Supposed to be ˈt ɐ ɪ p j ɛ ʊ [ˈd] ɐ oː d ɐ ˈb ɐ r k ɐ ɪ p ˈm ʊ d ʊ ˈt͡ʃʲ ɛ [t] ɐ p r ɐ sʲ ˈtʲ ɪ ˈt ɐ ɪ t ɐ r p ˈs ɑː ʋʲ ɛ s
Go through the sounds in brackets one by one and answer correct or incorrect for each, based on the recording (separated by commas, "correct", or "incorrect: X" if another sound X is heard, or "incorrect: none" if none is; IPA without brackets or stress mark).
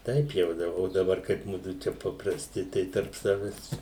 correct, incorrect: p